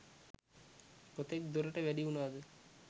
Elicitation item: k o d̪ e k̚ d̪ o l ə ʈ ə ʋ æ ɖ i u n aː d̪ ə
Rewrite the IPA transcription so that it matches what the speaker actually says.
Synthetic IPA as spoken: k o t̪ e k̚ d̪ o ɾ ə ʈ ə ʋ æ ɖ i u n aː d̪ ə